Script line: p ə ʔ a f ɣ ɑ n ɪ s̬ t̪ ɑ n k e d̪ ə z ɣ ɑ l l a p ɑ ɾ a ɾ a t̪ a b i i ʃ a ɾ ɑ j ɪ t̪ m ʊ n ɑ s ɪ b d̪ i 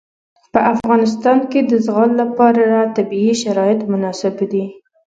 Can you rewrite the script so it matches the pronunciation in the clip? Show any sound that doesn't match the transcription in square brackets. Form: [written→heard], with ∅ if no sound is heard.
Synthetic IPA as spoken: p ə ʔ a f ɣ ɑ n ɪ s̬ t̪ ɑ n k e d̪ ə z ɣ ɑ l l a p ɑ ɾ a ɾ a t̪ a b i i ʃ a ɾ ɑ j ɪ t̪ m ʊ n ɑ s ɪ b d̪ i